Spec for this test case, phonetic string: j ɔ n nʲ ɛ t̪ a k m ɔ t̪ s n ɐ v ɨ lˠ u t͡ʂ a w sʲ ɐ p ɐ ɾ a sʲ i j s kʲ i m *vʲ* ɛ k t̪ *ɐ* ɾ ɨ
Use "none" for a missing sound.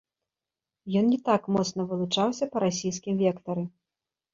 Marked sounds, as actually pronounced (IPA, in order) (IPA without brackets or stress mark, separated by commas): vʲ, ɐ